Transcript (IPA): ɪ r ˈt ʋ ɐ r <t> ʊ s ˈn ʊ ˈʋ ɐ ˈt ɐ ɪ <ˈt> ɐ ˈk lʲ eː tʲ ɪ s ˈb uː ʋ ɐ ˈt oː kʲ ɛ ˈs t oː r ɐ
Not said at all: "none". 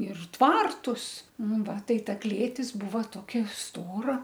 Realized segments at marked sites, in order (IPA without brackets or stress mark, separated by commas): t, t